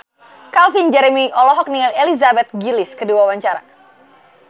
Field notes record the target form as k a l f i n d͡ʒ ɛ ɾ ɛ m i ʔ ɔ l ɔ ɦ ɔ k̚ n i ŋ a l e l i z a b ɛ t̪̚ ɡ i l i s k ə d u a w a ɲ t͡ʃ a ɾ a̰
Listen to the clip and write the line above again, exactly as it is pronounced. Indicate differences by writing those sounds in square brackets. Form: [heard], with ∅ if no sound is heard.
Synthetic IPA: k a l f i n d͡ʒ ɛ ɾ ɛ m i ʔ ɔ l ɔ ɦ ɔ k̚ n i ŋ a l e l i z a b ɛ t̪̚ ɡ i l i s k ə d u a w a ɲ t͡ʃ a ɾ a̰